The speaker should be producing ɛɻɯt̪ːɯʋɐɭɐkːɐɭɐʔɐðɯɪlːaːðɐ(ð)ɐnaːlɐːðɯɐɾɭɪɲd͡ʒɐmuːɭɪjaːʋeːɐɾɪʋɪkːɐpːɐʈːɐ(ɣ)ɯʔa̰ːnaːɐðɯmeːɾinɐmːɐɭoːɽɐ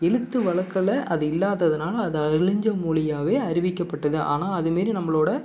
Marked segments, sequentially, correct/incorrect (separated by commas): correct, incorrect